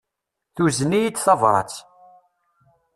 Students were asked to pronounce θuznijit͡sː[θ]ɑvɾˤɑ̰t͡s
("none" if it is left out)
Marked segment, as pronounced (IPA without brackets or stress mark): θ